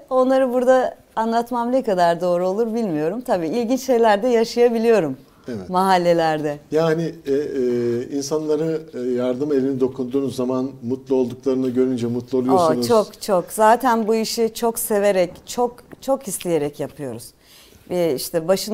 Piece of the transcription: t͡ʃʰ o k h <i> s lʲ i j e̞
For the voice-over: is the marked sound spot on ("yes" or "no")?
yes